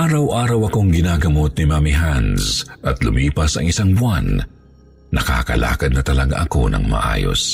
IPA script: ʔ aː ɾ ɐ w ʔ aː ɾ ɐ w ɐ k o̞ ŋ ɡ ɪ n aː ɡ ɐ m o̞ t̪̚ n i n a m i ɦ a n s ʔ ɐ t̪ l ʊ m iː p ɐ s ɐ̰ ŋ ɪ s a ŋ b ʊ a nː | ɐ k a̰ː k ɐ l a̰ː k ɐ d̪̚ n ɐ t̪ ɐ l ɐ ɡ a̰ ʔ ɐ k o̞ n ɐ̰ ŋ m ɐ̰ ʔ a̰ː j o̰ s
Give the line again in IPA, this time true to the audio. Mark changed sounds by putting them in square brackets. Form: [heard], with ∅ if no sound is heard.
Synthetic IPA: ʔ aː ɾ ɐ w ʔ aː ɾ ɐ w ɐ k o̞ ŋ ɡ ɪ n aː ɡ ɐ m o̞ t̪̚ n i [m] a m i ɦ a n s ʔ ɐ t̪ l ʊ m iː p ɐ s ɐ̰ ŋ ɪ s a ŋ b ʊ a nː | ɐ k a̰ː k ɐ l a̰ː k ɐ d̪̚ n ɐ t̪ ɐ l ɐ ɡ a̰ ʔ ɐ k o̞ n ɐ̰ ŋ m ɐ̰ ʔ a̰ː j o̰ s